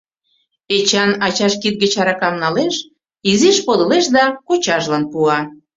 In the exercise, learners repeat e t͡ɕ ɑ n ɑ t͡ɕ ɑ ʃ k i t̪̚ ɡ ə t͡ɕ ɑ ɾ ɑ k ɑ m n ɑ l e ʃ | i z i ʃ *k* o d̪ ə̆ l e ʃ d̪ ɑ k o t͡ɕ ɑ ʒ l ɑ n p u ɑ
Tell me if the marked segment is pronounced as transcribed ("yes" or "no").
no